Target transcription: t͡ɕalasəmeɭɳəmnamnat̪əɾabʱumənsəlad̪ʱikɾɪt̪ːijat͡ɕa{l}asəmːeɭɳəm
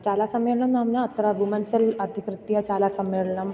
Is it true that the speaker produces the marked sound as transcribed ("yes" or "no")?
yes